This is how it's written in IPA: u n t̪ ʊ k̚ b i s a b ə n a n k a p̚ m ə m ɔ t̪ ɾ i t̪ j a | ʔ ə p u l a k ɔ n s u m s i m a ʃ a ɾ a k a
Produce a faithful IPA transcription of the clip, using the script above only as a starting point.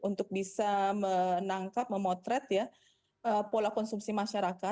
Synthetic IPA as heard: u n t̪ ʊ k̚ b i s a m ə n a ŋ k a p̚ m ə m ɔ t̪ ɾ ɛ t̪ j a | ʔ ə p o l a k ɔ n s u m s i m a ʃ a ɾ a k a